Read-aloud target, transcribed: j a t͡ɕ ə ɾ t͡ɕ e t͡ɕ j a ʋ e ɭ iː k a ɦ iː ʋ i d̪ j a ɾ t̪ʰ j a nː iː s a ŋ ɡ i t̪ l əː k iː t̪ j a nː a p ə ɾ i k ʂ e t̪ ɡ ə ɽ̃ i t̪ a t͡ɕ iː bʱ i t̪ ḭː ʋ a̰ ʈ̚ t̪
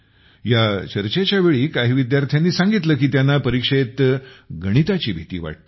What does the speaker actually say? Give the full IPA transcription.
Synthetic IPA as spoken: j a t͡ɕ ə ɾ t͡ɕ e t͡ɕ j a ʋ e ɭ iː k a ɦ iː ʋ i d̪ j a ɾ t̪ʰ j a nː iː s a ŋ ɡ i t̪ l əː k iː t̪ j a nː a p ə ɾ i k ʂ e t̪ ɡ ə ɽ̃ i t̪ a t͡ɕ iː bʱ i t̪ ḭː ʋ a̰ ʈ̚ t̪